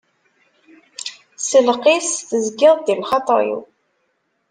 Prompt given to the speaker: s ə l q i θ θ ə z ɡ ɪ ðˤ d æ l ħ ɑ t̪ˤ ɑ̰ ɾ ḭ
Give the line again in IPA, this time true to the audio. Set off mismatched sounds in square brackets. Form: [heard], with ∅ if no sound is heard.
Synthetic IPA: s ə l q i [s] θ ə z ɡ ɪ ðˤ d [i] l [χ] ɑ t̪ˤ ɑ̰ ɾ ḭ